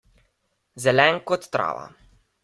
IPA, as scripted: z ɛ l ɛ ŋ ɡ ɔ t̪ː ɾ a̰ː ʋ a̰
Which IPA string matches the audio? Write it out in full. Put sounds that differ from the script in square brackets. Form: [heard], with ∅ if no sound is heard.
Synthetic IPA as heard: z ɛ l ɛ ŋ [k] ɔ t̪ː ɾ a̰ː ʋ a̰